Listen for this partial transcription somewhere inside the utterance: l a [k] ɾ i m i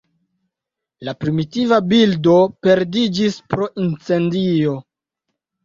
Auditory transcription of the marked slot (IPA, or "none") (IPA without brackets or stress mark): p